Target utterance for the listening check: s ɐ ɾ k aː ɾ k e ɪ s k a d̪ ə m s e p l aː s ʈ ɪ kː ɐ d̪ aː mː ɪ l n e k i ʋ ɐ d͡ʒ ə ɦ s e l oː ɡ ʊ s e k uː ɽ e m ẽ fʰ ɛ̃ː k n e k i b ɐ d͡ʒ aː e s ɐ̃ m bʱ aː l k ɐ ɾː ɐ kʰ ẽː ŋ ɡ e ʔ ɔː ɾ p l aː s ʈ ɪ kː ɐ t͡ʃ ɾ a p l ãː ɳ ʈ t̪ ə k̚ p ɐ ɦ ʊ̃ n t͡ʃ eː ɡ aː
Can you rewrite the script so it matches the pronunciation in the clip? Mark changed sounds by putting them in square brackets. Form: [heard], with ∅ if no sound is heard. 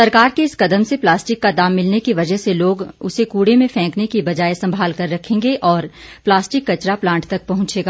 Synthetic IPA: s ɐ ɾ k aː ɾ k e ɪ s k [ɐ] d̪ ə m s e p l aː s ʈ ɪ kː [a] d̪ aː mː ɪ l n e k i ʋ ɐ d͡ʒ ə ɦ s e l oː ɡ ʊ s e k uː ɽ e m ẽ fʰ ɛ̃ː k n e k i b ɐ d͡ʒ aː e s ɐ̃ m bʱ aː l k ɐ ɾː ɐ kʰ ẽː ŋ ɡ e ʔ ɔː ɾ p l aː s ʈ ɪ kː ɐ t͡ʃ ɾ a p l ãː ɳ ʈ t̪ [ɐ] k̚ p ɐ ɦ ʊ̃ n t͡ʃ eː ɡ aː